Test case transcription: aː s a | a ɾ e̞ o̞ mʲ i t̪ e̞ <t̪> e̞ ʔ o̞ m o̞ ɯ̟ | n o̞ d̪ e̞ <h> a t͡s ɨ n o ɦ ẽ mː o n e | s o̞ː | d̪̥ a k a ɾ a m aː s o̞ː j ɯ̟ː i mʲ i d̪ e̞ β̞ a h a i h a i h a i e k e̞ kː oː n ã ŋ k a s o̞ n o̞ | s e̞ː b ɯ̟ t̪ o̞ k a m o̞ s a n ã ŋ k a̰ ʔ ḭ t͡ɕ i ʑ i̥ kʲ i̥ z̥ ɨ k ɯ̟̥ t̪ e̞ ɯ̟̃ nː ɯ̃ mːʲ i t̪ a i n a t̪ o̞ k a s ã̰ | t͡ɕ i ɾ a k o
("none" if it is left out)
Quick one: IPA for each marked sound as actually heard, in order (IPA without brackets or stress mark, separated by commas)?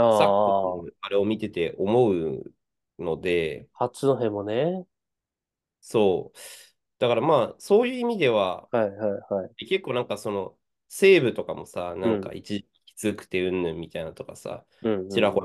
t̪, h